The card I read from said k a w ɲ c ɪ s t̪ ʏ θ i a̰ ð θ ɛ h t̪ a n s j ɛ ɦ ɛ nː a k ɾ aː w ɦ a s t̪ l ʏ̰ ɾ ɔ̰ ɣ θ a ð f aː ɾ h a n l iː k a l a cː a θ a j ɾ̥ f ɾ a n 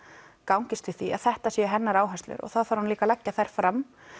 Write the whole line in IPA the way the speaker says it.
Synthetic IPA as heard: k a w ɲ c ɪ s t̪ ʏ θ i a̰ ð θ ɛ h t̪ a s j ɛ ɦ ɛ nː a ɾ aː w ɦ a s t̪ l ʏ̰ ɾ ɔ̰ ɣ θ a ð f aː ɾ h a n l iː k a l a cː a θ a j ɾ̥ f ɾ a m